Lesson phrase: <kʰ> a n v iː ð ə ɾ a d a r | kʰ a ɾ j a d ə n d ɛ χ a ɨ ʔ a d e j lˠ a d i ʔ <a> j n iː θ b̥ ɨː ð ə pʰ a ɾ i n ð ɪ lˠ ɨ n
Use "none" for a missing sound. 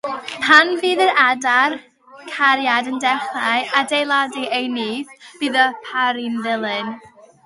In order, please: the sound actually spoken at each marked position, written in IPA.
pʰ, e

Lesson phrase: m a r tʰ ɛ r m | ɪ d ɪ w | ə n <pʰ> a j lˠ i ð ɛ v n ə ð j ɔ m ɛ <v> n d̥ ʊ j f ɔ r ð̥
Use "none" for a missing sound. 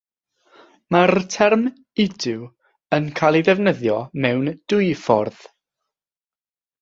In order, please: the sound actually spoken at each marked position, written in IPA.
kʰ, w

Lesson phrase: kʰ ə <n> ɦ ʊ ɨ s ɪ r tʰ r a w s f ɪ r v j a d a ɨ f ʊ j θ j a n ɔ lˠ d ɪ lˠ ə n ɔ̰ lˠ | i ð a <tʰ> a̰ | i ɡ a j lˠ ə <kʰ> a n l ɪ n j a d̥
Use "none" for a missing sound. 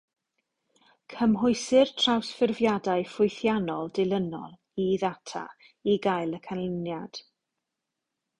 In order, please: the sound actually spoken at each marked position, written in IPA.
m, tʰ, kʰ

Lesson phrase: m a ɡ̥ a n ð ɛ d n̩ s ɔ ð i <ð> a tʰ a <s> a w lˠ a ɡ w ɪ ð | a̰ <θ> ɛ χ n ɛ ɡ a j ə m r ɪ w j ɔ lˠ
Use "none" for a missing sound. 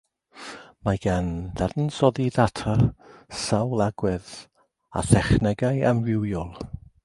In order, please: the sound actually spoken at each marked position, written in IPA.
ð, s, θ

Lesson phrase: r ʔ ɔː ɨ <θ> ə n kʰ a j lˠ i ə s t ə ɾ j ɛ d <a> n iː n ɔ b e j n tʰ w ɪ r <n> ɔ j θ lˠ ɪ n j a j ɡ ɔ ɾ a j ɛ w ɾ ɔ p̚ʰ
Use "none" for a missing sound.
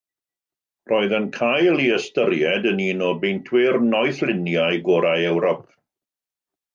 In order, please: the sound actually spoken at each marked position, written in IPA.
ð, ə, n

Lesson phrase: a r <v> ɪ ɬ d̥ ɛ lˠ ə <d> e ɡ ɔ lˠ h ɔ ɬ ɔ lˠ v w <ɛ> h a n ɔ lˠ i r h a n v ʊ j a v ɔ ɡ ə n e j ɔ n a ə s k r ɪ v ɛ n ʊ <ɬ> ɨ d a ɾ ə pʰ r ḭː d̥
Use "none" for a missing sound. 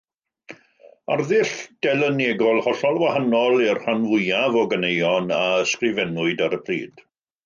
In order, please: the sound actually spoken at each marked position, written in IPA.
ð, n, a, none

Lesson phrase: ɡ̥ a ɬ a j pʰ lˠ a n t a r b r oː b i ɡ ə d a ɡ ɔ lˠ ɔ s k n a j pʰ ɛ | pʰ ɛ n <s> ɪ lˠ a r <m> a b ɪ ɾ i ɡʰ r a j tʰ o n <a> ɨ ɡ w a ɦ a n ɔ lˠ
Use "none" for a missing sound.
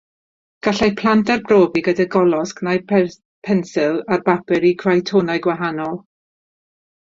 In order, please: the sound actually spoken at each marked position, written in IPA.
s, b, a

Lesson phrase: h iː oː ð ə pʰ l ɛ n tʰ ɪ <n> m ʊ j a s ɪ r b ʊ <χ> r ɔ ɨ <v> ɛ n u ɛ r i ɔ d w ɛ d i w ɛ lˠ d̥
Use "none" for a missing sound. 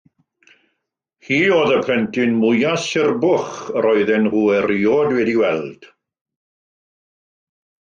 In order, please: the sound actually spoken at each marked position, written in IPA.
n, χ, ð

